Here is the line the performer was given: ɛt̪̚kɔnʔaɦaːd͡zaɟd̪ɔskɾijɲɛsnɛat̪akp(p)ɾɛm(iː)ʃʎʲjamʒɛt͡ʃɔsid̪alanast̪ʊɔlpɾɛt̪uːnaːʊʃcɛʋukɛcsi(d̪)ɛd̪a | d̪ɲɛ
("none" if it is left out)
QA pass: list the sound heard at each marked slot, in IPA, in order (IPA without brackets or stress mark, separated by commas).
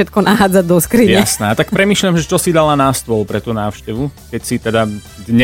p, iː, t̪